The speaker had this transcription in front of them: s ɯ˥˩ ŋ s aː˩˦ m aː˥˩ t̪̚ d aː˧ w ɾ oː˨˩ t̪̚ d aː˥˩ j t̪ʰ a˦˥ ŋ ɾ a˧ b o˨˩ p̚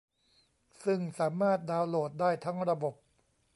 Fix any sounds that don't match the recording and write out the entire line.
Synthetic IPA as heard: s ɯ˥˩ ŋ s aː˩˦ m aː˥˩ t̪̚ d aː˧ w l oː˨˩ t̪̚ d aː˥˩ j t̪ʰ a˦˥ ŋ ɾ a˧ b o˨˩ p̚